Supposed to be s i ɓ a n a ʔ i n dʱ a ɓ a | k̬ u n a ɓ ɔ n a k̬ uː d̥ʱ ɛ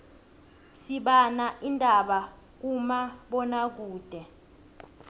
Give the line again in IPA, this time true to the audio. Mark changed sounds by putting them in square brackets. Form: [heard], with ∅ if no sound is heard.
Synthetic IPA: s i ɓ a n a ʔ i n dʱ a ɓ a | k̬ u [m] a ɓ ɔ n a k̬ uː d̥ʱ ɛ